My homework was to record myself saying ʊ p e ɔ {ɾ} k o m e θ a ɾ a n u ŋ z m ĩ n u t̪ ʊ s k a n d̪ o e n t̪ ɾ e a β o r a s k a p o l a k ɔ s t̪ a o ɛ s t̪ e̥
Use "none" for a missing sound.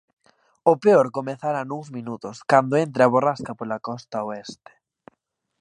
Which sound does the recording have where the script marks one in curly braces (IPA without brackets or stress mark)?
ɾ